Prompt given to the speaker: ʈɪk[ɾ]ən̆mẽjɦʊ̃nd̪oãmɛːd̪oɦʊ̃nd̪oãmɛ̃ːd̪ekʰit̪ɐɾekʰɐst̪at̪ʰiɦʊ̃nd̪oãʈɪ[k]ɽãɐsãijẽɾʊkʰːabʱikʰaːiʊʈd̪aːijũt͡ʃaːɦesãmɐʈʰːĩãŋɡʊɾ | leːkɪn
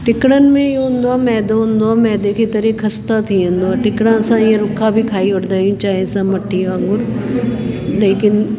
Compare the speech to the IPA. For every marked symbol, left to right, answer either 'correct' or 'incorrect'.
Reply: incorrect: ɽ, correct

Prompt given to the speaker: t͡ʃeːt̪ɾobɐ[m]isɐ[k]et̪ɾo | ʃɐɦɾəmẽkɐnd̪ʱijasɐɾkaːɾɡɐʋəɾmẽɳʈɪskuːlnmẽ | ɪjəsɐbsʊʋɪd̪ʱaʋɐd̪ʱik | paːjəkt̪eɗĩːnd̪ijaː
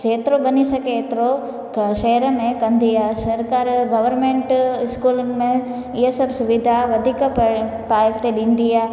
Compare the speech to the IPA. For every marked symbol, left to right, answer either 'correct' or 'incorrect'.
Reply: incorrect: n, correct

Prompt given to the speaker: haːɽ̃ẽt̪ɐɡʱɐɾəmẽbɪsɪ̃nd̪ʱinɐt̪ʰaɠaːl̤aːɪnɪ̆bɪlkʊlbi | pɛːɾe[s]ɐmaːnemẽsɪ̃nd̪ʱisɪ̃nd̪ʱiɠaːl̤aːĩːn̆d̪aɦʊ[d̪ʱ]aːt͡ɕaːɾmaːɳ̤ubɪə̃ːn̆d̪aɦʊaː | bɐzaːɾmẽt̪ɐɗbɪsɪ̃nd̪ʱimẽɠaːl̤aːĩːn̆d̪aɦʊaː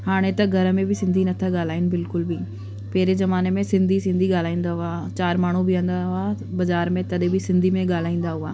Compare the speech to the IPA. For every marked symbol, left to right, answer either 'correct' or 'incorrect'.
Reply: incorrect: z, incorrect: none

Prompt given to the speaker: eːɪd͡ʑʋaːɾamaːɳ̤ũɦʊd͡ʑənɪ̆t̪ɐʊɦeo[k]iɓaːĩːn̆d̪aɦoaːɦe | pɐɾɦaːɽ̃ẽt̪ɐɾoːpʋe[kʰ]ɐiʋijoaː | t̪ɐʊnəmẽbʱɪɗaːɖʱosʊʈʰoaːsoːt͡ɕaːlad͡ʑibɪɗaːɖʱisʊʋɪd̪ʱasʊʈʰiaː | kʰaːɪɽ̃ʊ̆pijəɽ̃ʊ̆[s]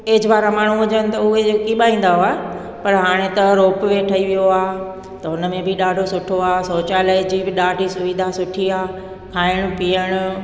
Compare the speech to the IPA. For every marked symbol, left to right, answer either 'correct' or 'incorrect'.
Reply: correct, incorrect: ʈʰ, incorrect: none

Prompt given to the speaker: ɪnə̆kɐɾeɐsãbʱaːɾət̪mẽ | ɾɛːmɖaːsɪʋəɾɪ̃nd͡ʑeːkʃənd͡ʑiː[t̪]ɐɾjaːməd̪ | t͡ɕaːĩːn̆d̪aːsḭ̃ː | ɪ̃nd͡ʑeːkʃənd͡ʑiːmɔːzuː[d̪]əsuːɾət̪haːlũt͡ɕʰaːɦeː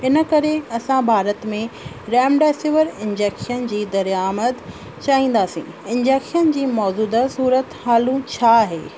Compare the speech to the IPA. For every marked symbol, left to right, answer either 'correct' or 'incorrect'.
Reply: incorrect: d̪, correct

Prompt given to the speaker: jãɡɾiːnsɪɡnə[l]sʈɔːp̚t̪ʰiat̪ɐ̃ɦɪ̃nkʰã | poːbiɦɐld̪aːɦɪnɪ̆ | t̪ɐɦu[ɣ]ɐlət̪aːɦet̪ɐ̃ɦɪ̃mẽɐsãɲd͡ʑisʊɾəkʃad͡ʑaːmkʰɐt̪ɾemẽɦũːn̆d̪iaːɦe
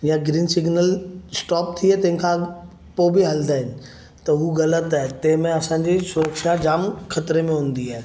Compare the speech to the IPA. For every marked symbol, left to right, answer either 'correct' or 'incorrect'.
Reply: correct, correct

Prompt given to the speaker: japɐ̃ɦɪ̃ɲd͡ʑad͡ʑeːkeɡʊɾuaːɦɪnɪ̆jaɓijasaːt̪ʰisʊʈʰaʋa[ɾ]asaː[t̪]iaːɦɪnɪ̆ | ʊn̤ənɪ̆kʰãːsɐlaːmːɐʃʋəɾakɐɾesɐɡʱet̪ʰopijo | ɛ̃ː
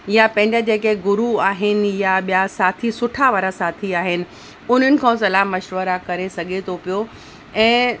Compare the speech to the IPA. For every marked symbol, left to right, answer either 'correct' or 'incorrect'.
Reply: correct, incorrect: t̪ʰ

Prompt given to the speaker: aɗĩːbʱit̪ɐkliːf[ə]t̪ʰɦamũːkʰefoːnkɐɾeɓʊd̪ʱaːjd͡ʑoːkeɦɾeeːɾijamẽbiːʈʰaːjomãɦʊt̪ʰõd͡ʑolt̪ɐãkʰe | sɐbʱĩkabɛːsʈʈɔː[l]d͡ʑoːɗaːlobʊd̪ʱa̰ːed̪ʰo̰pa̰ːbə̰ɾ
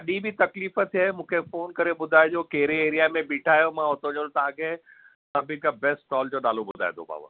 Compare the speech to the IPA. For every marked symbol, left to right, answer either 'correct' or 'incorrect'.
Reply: correct, correct

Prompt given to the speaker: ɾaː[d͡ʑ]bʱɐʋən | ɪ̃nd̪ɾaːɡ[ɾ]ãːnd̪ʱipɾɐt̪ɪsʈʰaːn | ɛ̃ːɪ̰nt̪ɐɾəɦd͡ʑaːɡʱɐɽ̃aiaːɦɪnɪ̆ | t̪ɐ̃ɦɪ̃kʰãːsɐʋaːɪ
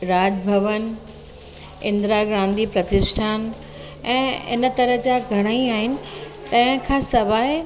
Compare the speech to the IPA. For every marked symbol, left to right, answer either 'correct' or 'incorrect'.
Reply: correct, correct

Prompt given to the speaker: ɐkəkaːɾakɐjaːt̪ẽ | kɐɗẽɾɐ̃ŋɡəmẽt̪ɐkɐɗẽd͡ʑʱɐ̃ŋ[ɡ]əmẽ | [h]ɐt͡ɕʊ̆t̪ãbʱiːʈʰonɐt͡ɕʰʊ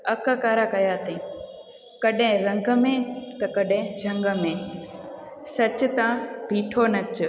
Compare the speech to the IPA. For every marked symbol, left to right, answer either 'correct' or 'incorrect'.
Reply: correct, incorrect: s

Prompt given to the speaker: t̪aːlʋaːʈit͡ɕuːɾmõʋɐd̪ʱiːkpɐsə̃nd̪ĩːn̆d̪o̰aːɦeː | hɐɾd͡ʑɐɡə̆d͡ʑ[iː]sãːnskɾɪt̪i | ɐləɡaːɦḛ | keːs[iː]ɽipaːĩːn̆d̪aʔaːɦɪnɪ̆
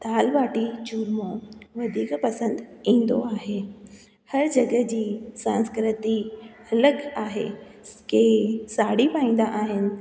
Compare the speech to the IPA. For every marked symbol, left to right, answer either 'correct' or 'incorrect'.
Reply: correct, incorrect: aː

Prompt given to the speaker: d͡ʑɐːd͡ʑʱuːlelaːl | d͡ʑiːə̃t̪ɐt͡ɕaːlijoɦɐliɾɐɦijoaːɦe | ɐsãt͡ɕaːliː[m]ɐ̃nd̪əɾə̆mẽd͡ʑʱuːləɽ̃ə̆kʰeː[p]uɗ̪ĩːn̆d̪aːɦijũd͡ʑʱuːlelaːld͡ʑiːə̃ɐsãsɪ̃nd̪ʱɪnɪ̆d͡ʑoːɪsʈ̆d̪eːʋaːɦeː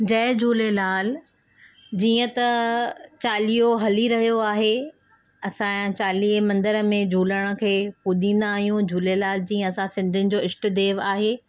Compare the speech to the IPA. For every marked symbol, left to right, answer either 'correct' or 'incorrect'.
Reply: correct, correct

